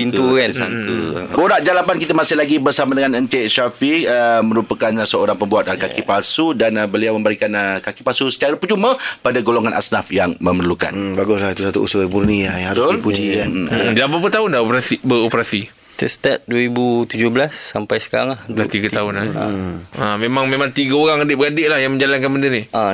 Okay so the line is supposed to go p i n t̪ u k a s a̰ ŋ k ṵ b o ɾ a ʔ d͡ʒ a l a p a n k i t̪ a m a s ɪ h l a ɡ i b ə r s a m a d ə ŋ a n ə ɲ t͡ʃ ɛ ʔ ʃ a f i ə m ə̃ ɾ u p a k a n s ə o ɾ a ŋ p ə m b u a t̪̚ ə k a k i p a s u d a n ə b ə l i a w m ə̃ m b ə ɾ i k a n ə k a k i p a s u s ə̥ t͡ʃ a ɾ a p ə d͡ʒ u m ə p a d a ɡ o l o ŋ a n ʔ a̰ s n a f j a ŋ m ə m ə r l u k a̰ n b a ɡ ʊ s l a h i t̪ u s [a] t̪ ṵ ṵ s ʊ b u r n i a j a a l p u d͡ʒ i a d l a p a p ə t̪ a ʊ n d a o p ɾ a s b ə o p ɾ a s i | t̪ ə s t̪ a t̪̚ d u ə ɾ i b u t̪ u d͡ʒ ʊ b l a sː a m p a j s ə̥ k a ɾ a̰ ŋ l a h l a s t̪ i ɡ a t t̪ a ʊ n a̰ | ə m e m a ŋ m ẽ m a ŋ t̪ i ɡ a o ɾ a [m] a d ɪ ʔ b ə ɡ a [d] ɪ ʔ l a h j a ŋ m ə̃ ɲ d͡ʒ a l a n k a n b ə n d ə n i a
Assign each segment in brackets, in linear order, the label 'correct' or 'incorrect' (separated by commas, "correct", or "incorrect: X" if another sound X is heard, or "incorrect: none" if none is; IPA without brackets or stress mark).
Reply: correct, incorrect: ŋ, correct